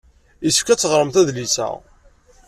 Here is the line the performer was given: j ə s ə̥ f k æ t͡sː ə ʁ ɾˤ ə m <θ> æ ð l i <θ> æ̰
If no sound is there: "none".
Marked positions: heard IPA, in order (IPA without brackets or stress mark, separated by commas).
θ, s